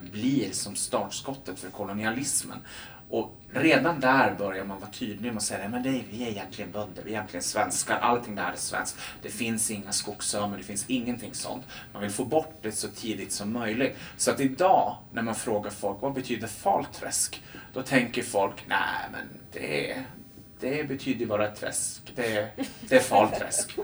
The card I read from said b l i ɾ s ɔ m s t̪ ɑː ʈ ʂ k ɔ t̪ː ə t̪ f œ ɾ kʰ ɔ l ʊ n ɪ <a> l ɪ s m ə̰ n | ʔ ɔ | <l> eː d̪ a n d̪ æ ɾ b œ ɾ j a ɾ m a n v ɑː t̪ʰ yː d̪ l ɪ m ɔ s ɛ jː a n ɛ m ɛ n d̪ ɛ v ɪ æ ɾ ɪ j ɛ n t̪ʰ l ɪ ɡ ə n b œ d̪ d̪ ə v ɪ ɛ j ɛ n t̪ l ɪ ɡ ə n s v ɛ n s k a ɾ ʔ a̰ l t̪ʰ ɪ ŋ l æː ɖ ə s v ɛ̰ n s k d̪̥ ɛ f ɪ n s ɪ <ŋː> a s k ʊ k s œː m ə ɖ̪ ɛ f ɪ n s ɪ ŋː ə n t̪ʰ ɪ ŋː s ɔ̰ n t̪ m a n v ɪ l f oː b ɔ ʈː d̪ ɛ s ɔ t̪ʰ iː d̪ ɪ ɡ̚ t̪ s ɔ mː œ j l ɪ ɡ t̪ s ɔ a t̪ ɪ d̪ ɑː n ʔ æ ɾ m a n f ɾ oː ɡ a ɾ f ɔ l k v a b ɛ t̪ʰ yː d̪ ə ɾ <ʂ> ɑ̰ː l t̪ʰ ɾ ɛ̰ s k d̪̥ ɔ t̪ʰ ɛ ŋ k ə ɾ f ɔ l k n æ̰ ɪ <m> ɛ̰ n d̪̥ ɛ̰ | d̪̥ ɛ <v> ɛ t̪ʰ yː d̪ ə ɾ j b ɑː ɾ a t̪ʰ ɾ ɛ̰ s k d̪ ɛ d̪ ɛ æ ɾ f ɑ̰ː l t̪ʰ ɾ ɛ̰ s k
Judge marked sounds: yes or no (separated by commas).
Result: yes, no, yes, no, yes, no